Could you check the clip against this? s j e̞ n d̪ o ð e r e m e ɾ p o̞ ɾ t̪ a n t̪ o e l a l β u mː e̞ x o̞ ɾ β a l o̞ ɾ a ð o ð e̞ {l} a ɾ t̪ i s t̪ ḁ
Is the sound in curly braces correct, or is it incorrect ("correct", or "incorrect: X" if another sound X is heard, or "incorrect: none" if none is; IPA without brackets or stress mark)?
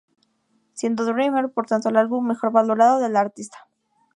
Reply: correct